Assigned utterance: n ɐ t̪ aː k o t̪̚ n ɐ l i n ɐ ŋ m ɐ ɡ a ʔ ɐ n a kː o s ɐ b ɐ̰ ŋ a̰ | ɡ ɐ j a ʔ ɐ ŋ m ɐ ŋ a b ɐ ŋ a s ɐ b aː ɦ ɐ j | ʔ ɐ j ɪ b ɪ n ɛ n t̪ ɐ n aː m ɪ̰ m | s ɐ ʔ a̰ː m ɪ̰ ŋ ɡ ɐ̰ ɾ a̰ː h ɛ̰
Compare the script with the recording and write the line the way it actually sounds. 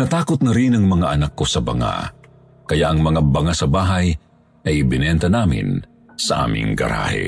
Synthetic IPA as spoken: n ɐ t̪ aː k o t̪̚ n ɐ ɾ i n ɐ ŋ m ɐ ŋ a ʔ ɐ n a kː o s ɐ b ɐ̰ ŋ a̰ | k ɐ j a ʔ ɐ ŋ m ɐ ŋ a b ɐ ŋ a s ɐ b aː ɦ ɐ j | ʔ ɐ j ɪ b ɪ n ɛ n t̪ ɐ n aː m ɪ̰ n | s ɐ ʔ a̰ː m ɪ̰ ŋ ɡ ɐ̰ ɾ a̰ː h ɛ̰